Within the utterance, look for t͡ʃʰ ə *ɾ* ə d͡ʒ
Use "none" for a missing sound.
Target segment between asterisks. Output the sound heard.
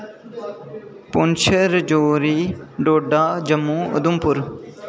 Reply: ɾ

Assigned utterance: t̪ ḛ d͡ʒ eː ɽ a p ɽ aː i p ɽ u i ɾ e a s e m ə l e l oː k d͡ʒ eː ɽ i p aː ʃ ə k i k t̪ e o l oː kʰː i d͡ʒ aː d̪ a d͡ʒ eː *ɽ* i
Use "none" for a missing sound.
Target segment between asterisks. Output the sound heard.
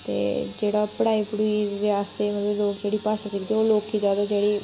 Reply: ɽ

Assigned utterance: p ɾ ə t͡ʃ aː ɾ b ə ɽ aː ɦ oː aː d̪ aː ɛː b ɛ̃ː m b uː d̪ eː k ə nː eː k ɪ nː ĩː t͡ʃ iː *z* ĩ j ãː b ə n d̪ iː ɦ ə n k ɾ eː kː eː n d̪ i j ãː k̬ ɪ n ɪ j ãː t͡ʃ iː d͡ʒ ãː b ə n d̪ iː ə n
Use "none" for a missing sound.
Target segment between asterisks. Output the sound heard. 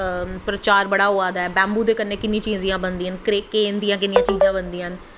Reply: z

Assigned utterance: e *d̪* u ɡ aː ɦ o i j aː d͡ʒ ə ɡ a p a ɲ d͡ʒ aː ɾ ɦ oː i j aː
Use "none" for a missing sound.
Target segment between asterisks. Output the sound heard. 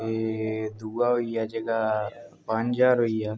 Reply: d̪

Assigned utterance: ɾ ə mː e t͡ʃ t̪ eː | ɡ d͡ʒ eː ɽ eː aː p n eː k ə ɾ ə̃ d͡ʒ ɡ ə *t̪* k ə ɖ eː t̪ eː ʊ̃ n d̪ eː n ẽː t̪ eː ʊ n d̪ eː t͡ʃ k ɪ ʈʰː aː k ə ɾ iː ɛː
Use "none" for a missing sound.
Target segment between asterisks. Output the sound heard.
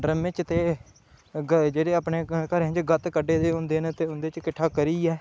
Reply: t̪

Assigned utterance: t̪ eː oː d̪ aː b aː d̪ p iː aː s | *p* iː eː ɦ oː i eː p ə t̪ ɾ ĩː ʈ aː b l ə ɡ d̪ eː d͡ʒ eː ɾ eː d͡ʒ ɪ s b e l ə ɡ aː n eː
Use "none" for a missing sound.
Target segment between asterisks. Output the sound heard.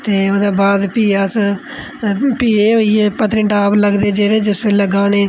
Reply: p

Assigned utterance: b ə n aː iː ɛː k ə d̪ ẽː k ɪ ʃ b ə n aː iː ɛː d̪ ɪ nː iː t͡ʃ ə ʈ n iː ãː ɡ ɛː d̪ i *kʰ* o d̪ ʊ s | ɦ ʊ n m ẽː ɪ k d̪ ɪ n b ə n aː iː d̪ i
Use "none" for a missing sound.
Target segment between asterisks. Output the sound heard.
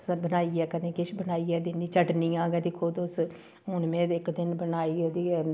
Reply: kʰ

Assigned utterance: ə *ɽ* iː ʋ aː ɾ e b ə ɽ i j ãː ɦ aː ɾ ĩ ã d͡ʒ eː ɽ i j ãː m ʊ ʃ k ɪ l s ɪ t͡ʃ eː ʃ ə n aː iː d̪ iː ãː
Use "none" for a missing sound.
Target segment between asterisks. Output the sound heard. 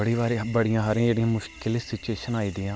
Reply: ɽ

